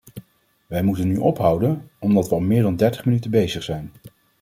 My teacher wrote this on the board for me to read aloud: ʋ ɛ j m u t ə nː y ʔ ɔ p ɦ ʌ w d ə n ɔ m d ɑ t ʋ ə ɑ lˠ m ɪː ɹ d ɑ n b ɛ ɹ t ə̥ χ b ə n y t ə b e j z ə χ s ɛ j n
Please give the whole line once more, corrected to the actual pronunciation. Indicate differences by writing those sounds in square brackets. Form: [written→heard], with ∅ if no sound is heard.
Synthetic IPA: ʋ ɛ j m u t ə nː y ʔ ɔ p ɦ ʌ w d ə n ɔ m d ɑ t ʋ ə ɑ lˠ m ɪː ɹ d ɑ n [b→d] ɛ ɹ t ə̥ χ [b→m] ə n y t ə b e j z ə χ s ɛ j n